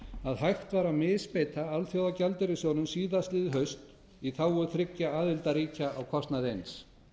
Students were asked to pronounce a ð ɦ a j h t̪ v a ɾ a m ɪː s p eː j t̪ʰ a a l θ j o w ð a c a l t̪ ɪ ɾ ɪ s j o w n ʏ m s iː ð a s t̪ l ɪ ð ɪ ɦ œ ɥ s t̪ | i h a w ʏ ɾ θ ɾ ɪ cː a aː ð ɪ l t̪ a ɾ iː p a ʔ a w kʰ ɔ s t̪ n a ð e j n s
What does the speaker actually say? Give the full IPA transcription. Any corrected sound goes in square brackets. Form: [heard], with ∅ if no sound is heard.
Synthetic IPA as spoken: a ð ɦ a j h t̪ v a ɾ a m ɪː s p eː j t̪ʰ a a l θ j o w ð a c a l t̪ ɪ ɾ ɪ s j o w n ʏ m s iː ð a s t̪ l ɪ ð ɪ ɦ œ ɥ s t̪ | i [θ] a w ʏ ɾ θ ɾ ɪ cː a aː ð ɪ l t̪ a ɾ iː [c] a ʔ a w kʰ ɔ s t̪ n a ð e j n s